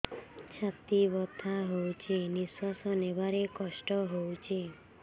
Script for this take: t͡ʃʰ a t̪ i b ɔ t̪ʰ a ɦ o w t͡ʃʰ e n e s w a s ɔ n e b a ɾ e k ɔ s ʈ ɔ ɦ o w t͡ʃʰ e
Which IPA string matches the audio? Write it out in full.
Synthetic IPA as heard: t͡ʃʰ a t̪ i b ɔ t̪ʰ a ɦ o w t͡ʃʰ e n i s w a s ɔ n e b a ɾ e k ɔ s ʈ ɔ ɦ o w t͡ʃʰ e